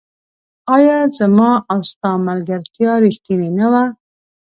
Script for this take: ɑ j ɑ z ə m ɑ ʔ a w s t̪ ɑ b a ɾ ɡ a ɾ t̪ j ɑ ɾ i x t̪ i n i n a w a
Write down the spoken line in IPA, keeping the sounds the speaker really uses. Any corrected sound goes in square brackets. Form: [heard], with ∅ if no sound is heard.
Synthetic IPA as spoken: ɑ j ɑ z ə m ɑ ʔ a w s t̪ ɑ [m] a [l] ɡ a ɾ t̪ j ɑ ɾ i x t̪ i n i n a w a